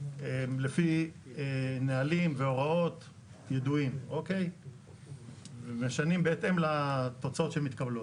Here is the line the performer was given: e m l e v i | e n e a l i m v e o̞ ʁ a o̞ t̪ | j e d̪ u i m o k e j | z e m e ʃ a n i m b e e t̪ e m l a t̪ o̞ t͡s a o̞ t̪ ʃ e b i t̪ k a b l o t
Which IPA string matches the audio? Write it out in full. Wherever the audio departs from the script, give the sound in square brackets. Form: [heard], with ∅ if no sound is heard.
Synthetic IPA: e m l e [f] i | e n e a l i m v e o̞ ʁ a o̞ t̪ | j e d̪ u i m o k e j | [v] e m e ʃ a n i m b e e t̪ e m l a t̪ o̞ t͡s a o̞ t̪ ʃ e [m] i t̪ k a b l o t